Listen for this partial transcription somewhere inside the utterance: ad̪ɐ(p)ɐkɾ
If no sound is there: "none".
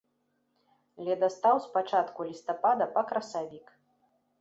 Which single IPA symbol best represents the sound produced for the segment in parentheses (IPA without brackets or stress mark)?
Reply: p